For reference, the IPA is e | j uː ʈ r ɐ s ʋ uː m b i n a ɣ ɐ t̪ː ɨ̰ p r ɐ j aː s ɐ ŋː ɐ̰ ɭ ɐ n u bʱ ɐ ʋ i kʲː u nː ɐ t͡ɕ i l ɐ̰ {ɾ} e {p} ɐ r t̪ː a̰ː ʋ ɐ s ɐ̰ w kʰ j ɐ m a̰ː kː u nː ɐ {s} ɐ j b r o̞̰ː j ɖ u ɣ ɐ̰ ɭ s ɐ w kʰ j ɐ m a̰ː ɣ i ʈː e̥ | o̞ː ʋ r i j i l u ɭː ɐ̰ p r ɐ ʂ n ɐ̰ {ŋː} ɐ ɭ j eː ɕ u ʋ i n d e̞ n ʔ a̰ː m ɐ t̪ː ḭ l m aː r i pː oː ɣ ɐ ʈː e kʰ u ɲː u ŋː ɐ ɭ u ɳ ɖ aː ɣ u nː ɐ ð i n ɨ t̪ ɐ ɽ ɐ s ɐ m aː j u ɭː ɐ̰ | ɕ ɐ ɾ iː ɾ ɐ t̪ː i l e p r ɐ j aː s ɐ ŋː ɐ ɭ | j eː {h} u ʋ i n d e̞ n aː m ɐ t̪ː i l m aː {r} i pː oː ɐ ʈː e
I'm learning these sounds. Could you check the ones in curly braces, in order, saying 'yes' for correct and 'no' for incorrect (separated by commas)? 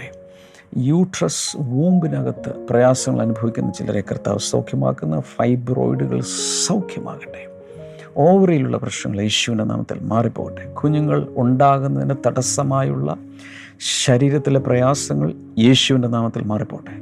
yes, no, no, yes, no, yes